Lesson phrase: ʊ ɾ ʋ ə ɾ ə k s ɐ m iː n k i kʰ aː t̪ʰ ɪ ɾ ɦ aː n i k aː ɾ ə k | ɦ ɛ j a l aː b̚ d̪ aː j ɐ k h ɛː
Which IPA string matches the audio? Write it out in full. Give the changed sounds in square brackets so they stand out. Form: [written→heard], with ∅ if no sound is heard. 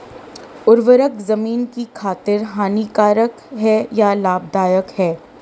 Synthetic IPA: ʊ ɾ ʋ ə ɾ ə k [s→z] ɐ m iː n k i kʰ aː [t̪ʰ→t̪] ɪ ɾ ɦ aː n i k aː ɾ ə k | ɦ ɛ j a l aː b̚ d̪ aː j [ɐ→ə] k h ɛː